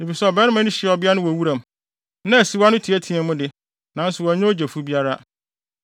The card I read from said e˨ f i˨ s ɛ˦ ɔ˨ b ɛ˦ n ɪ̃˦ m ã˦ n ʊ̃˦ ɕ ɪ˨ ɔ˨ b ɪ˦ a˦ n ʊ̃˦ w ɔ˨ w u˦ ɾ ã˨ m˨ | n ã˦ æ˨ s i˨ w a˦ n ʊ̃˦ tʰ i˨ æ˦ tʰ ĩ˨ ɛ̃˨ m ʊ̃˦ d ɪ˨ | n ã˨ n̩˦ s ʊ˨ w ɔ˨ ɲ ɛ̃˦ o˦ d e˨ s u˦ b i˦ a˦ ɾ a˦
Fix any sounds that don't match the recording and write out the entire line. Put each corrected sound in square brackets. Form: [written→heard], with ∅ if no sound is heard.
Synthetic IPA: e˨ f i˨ s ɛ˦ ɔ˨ b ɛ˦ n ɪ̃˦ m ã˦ n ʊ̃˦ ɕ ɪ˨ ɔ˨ b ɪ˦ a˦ n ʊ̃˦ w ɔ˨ w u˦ ɾ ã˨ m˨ | n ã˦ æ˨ s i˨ w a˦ n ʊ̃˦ tʰ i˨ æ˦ tʰ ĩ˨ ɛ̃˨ m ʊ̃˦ d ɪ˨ | n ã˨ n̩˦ s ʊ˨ w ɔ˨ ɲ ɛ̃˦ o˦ [d→d͡ʑ] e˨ [s→f] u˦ b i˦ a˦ ɾ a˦

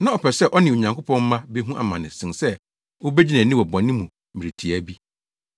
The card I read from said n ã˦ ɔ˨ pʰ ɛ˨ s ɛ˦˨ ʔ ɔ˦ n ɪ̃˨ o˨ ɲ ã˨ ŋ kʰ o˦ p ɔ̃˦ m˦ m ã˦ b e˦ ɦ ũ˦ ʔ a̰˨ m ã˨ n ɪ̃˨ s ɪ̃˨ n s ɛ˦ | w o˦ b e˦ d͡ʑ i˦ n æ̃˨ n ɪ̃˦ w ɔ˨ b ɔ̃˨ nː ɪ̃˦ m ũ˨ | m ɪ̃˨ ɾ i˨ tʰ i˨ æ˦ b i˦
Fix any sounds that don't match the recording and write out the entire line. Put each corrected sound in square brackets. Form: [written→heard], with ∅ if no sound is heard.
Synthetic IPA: n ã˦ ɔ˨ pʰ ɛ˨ s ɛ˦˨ ʔ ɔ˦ n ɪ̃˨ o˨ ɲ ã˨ ŋ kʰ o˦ p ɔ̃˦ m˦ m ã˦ b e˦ ɦ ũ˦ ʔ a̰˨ m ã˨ n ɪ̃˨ s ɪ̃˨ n s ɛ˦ | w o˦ b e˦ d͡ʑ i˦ n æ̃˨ n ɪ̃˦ w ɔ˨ b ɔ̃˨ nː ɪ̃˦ m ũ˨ | m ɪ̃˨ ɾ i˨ tʰ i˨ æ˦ b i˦

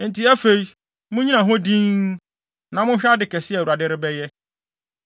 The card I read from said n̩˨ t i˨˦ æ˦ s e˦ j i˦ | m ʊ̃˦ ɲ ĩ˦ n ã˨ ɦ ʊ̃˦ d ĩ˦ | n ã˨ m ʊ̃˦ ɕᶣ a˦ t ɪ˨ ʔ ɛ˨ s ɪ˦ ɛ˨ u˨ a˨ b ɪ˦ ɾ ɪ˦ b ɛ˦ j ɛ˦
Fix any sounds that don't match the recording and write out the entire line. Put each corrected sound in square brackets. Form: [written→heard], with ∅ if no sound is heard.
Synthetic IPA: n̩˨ t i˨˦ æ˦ [s→f] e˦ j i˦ | m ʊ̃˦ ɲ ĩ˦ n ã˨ ɦ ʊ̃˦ d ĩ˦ | n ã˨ m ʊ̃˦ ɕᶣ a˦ [t→d] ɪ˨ [ʔ→k] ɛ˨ s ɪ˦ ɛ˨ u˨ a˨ [b→d] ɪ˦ ɾ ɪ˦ b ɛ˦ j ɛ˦

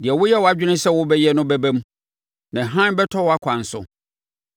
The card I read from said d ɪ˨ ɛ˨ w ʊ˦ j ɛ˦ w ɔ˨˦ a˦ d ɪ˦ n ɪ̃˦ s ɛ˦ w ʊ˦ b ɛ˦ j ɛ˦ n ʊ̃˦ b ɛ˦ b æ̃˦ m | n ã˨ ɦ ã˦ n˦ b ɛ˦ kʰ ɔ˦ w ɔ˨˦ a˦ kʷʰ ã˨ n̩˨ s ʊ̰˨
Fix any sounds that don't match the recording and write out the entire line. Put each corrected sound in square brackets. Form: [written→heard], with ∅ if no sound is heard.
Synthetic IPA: d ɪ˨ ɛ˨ w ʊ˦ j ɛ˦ w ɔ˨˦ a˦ [d→d͡ʑᶣ] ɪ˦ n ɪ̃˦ s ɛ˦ w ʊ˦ b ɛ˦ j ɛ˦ n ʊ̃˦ b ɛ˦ b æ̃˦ m | n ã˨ ɦ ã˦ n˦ b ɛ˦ [kʰ→tʰ] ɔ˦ w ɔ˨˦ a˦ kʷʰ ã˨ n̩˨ s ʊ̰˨

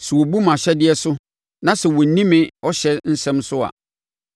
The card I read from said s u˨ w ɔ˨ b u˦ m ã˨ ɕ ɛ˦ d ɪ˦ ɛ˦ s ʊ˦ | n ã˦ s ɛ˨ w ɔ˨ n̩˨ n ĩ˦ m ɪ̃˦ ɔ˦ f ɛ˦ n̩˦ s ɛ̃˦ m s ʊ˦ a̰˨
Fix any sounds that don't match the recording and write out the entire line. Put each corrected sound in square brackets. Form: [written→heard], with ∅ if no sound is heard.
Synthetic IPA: s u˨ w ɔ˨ b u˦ m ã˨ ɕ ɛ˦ d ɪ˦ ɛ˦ s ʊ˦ | n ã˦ s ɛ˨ w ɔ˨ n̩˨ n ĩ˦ m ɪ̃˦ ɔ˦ [f→ɕ] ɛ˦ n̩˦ s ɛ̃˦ m s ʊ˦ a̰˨

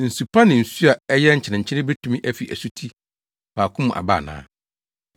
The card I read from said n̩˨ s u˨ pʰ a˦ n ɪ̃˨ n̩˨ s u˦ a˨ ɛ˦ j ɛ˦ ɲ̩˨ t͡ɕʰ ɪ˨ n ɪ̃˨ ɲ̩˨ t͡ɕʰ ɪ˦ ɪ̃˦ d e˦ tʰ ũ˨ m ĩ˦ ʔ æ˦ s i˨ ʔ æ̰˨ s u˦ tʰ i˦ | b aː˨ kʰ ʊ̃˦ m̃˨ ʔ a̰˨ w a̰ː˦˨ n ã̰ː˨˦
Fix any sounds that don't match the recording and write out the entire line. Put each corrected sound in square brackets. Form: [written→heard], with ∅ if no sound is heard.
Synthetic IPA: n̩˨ s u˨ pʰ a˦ n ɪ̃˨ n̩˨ s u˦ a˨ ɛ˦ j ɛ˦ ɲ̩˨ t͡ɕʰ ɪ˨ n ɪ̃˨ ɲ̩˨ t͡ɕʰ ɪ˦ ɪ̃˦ [d→b] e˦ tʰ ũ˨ m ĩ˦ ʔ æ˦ [s→f] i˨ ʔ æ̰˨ s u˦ tʰ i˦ | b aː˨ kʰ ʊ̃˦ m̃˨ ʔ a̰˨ [w→b] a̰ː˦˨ n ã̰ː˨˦

